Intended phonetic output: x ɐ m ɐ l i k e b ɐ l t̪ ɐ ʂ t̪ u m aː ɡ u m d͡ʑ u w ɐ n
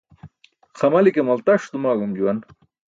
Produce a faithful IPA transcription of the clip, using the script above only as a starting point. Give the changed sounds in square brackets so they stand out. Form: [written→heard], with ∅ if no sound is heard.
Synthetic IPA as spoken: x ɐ m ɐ l i k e [b→m] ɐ l t̪ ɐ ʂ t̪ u m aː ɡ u m d͡ʑ u w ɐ n